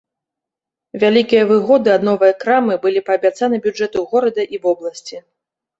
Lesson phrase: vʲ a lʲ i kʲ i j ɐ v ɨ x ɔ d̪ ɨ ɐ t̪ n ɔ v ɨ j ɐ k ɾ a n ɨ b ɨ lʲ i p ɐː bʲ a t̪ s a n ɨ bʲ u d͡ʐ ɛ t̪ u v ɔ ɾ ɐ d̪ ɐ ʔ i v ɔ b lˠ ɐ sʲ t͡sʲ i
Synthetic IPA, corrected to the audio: vʲ a lʲ i kʲ i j ɐ v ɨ ɣ ɔ d̪ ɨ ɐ d̪ n ɔ v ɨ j ɐ k ɾ a m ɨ b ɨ lʲ i p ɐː bʲ a t̪ s a n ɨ bʲ u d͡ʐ ɛ t̪ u ɣ ɔ ɾ ɐ d̪ ɐ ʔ i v ɔ b lˠ ɐ sʲ t͡sʲ i